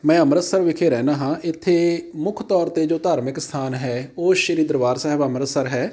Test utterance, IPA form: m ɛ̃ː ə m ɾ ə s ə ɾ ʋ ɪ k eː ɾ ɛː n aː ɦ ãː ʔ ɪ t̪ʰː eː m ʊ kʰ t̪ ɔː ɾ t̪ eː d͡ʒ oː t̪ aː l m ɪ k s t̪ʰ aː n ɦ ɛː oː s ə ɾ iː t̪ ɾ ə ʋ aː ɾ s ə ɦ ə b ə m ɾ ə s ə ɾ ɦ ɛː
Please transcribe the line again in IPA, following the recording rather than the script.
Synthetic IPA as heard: m ɛ̃ː ə m ɾ ə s ə ɾ ʋ ɪ kʰ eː ɾ ɛː n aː ɦ ãː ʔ ɪ t̪ʰː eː m ʊ kʰ t̪ ɔː ɾ t̪ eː d͡ʒ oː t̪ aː ɾ m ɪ k s t̪ʰ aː n ɦ ɛː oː ʃ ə ɾ iː d̪ ɾ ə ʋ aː ɾ s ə ɦ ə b ə m ɾ ə s ə ɾ ɦ ɛː